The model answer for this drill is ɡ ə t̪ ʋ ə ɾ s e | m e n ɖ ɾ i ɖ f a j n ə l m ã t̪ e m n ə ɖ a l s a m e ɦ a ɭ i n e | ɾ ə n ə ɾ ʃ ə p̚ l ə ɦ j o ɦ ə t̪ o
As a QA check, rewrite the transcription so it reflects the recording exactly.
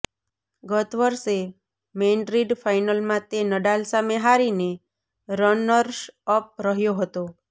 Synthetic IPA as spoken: ɡ ə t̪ ʋ ə ɾ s e | m e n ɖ ɾ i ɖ f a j n ə l m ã t̪ e n ə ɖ a l s a m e ɦ a ɾ i n e | ɾ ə n ə ɾ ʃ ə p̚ ɾ ə ɦ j o ɦ ə t̪ o